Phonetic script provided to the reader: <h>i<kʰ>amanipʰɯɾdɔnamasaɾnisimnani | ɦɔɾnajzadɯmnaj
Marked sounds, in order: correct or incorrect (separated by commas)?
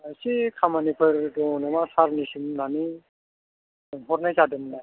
incorrect, correct